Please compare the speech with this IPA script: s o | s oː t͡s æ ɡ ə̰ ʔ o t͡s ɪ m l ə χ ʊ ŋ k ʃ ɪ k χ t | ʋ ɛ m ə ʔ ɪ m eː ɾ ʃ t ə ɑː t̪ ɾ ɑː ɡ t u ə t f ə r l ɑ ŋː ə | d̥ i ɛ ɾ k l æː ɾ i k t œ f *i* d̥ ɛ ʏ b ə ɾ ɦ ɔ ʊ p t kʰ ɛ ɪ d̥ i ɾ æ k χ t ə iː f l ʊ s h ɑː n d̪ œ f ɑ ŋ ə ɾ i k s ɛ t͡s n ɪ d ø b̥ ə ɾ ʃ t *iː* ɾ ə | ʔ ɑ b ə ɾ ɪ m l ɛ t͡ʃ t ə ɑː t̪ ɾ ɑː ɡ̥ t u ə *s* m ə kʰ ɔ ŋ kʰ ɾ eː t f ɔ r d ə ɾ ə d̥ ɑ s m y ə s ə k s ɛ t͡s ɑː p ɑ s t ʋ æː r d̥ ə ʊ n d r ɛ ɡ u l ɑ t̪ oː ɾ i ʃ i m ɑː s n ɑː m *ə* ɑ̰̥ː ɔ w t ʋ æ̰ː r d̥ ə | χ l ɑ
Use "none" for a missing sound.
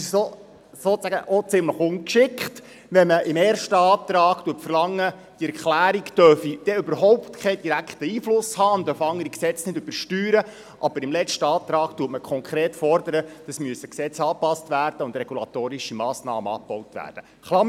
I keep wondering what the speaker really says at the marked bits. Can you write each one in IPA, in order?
i, yː, t, ə

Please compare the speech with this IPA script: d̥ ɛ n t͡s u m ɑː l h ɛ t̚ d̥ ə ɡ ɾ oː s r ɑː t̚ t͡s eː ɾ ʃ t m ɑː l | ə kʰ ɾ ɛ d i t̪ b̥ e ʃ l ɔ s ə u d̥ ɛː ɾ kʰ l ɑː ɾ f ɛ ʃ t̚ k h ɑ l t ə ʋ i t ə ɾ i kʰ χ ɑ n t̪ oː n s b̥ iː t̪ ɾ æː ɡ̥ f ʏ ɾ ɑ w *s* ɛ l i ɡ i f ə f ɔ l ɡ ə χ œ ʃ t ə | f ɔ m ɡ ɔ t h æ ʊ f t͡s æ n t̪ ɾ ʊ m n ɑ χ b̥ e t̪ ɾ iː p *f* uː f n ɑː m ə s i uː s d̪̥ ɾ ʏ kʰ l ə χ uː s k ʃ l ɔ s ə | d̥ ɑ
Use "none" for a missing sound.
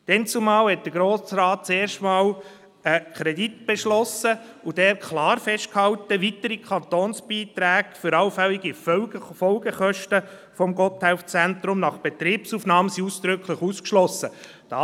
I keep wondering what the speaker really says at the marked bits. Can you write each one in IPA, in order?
f, s

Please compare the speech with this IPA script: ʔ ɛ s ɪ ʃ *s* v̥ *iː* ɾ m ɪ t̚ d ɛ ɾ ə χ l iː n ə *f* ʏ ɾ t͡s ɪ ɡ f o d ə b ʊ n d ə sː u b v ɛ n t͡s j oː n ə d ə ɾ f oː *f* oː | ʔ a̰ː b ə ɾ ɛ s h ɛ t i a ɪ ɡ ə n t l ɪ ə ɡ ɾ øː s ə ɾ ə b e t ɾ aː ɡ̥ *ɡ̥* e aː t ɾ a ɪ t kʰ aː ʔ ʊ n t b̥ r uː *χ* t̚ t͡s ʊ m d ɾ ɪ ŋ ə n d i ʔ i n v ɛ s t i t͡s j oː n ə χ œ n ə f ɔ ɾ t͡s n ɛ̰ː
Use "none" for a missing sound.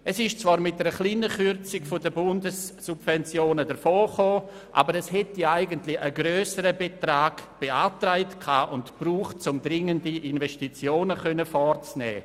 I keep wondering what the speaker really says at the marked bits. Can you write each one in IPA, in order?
t͡s, aː, χ, χ, b̥, χ

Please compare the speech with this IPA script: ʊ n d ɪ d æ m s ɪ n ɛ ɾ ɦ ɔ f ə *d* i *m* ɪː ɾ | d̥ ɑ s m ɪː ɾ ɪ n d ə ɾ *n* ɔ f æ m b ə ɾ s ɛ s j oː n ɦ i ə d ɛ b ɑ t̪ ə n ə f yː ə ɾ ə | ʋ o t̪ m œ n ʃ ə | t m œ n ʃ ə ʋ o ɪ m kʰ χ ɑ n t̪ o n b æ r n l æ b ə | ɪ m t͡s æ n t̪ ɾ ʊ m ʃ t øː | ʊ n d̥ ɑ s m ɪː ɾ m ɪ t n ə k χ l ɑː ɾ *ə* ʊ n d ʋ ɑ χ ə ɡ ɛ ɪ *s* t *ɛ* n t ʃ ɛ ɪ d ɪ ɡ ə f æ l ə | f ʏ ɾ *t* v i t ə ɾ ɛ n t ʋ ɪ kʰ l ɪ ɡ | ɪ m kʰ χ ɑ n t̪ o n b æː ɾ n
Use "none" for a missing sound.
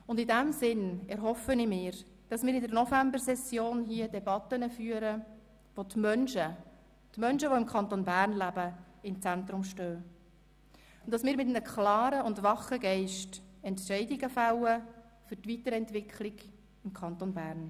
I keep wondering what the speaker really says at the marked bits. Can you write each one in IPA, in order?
n, m, n, ə, ʃ, ɛ, t

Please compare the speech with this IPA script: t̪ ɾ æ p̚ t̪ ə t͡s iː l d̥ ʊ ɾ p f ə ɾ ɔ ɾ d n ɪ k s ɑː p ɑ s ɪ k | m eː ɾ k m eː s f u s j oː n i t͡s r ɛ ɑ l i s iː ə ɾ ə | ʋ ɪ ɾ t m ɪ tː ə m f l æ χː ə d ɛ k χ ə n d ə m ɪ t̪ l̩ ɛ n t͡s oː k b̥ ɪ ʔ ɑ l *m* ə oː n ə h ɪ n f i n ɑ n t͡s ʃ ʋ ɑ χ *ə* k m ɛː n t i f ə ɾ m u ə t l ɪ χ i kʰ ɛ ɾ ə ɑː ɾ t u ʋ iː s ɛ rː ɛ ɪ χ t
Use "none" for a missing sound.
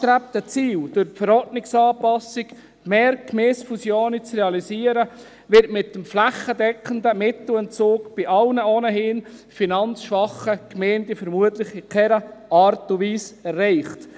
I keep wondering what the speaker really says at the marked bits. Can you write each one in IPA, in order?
n, ə

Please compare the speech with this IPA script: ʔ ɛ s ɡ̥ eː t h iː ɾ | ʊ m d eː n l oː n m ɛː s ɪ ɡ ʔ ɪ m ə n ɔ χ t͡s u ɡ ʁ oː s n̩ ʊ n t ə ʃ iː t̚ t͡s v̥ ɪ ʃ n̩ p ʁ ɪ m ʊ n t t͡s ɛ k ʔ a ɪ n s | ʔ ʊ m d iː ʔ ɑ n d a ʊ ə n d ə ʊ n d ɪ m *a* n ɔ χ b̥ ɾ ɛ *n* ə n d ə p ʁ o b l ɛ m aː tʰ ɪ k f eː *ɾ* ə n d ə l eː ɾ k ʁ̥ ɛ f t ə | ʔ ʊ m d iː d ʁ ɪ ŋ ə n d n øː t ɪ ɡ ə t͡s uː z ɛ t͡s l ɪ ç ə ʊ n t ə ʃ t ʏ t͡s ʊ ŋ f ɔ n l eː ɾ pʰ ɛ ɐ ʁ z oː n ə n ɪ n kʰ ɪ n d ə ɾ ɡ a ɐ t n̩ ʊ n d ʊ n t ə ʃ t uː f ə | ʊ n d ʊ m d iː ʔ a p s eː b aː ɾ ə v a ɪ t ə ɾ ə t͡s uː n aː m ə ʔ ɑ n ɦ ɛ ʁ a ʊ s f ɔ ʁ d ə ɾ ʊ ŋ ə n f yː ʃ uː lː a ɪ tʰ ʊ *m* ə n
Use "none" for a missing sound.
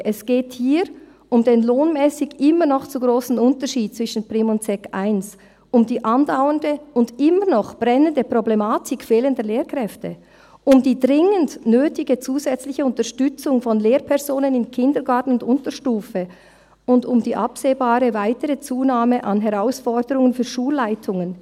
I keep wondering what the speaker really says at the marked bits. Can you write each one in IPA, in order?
ə, n, l, ŋ

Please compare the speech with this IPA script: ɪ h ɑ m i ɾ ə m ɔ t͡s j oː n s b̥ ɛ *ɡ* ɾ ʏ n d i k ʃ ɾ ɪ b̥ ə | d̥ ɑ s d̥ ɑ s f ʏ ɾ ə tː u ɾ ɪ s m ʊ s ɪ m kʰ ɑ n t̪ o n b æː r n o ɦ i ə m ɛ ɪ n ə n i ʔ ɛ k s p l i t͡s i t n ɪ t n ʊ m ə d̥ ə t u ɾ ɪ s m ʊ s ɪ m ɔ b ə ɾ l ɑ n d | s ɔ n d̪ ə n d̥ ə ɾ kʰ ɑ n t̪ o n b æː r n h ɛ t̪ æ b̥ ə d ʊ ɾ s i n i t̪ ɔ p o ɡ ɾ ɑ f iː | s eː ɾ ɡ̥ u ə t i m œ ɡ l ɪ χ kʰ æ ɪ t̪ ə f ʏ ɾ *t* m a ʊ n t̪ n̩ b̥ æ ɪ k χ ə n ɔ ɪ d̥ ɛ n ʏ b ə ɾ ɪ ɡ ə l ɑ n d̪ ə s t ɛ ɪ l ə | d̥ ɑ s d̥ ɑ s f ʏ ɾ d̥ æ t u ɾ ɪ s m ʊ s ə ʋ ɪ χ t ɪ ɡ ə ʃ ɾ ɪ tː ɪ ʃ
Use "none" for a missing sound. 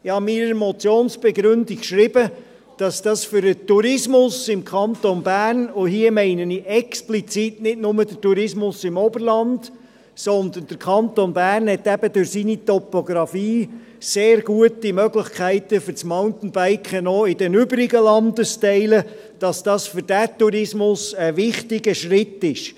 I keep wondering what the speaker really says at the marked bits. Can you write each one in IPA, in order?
ɡ, t͡s

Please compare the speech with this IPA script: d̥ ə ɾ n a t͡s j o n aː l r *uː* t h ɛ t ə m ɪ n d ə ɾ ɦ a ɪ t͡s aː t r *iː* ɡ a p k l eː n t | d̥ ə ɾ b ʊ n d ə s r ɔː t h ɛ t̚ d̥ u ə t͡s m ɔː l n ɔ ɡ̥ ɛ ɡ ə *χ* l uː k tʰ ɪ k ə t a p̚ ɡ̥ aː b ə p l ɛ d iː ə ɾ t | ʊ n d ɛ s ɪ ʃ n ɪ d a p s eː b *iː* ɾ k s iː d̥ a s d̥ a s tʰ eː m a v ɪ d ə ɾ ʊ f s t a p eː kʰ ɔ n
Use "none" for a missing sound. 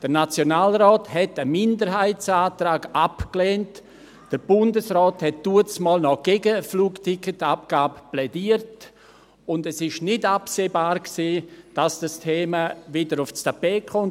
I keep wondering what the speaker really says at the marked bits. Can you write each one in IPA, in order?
ɔː, aː, f, aː

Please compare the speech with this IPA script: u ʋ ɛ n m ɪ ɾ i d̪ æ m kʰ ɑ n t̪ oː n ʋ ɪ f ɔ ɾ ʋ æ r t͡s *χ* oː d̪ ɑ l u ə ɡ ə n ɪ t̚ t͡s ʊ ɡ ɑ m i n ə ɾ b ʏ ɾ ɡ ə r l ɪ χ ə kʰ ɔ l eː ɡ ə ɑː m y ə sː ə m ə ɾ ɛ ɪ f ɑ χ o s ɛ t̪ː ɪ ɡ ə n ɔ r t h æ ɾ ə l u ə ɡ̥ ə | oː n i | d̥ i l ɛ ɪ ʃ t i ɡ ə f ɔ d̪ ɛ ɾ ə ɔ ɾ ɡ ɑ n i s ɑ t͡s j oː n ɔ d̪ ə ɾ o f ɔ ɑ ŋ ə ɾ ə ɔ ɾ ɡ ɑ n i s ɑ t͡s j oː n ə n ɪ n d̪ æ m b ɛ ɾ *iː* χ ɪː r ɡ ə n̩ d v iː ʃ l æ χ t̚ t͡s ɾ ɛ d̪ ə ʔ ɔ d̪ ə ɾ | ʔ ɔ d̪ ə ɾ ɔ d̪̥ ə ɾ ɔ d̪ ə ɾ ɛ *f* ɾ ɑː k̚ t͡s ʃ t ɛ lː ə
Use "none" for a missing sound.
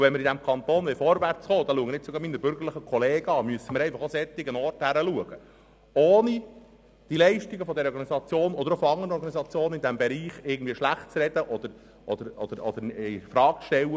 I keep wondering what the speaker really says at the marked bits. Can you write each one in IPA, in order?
χ, iː, f

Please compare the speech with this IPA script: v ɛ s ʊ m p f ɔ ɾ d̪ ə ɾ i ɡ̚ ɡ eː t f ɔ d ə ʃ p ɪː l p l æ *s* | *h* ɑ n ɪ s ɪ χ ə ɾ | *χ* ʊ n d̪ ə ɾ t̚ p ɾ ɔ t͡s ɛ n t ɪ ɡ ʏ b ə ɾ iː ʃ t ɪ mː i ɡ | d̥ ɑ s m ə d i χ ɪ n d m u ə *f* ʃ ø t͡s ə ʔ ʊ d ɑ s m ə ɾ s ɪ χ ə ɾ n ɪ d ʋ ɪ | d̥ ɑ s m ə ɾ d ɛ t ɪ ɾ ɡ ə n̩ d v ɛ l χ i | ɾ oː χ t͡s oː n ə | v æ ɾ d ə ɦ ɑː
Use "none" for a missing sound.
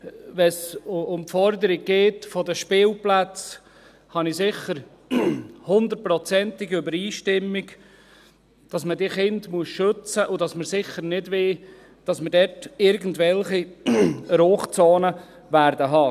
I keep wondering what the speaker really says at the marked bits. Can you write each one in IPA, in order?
t͡s, h, h, s

